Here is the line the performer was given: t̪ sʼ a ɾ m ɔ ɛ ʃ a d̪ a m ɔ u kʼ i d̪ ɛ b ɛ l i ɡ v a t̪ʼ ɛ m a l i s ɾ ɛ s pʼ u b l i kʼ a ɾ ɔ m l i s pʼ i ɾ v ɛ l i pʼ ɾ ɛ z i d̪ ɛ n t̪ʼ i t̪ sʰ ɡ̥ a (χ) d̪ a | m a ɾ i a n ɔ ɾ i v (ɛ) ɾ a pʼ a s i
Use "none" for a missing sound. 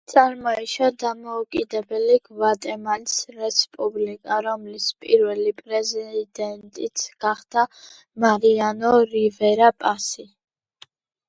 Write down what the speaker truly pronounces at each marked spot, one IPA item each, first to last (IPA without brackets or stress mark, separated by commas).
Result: χ, ɛ